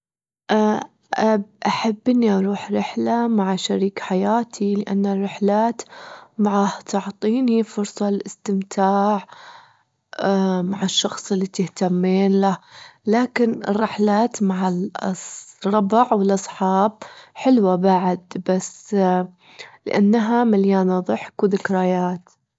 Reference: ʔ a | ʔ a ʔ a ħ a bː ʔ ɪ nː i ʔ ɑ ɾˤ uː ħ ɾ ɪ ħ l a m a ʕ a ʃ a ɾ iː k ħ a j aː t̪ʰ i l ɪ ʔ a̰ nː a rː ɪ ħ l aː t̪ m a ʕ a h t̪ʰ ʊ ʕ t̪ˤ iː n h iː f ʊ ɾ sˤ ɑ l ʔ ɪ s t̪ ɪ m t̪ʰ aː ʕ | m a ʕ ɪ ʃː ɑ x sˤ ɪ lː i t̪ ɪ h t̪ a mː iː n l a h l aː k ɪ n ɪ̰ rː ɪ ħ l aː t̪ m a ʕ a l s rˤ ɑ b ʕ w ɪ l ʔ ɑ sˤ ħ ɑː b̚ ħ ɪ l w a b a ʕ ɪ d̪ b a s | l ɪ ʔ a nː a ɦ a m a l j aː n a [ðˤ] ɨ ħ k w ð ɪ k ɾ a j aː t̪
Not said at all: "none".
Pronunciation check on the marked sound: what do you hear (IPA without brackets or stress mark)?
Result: ðˤ